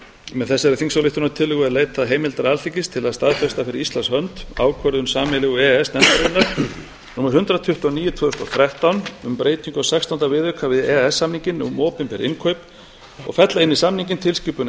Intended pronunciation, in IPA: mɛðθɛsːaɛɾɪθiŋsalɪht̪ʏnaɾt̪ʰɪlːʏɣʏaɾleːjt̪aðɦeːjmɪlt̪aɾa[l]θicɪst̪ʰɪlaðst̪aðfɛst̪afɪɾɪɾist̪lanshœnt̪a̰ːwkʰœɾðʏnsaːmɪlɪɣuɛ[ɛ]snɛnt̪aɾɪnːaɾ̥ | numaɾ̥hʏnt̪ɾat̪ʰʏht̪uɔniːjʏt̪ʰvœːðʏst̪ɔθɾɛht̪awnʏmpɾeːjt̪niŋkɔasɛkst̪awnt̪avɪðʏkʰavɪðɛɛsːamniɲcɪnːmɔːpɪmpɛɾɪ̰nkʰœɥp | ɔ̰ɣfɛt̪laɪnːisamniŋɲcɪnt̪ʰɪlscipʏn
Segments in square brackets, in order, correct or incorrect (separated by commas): correct, correct